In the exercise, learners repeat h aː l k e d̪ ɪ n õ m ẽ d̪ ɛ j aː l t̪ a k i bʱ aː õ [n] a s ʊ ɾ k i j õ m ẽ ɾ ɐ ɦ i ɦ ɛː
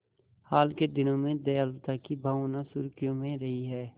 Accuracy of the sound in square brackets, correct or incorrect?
correct